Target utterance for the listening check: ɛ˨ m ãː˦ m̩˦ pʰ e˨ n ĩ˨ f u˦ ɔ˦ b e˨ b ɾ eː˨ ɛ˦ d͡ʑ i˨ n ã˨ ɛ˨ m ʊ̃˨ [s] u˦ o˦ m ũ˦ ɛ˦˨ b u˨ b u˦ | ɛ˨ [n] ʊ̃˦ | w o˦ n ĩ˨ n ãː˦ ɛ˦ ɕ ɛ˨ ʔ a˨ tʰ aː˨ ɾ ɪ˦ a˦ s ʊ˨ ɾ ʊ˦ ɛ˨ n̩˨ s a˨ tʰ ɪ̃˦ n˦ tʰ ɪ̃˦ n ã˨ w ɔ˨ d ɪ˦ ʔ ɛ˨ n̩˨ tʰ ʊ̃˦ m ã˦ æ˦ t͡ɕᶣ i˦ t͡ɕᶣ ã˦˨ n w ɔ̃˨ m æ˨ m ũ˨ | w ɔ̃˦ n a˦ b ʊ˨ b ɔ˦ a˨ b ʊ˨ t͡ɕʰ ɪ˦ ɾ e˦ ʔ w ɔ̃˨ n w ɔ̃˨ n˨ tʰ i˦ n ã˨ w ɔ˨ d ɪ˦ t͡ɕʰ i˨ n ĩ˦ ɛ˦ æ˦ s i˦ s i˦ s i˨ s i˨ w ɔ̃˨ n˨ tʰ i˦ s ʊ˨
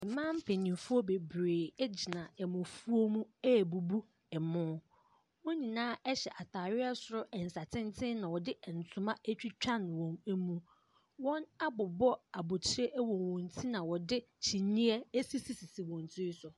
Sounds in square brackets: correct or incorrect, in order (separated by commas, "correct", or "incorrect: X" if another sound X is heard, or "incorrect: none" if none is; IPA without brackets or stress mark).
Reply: incorrect: f, incorrect: m